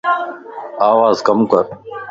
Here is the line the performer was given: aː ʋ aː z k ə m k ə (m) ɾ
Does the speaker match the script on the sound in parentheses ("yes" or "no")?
no